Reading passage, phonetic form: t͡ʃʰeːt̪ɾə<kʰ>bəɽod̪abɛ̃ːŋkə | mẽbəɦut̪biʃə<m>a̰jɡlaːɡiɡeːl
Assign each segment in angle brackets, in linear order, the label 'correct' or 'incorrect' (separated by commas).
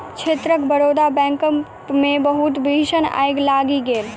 incorrect, incorrect